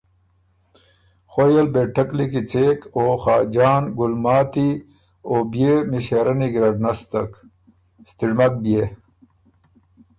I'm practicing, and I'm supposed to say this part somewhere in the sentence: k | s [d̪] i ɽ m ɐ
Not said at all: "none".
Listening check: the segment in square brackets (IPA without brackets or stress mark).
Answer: t̪